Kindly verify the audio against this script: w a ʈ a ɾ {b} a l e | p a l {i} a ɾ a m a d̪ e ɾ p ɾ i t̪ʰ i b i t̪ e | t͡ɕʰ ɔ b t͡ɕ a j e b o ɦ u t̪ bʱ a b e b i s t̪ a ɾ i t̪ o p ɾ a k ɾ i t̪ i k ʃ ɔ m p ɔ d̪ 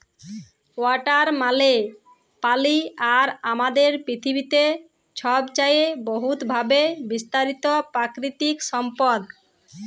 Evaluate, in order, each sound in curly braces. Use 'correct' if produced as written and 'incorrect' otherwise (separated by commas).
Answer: incorrect, correct